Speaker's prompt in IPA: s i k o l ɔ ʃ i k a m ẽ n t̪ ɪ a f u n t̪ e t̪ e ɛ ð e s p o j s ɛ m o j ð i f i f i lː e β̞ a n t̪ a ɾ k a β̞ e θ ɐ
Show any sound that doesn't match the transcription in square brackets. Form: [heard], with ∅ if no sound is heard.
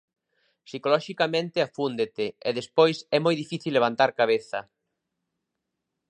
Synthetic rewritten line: s i k o l ɔ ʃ i k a m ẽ n t̪ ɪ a f u n [d̪] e t̪ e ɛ ð e s p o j s ɛ m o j ð i f i [θ] i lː e β̞ a n t̪ a ɾ k a β̞ e θ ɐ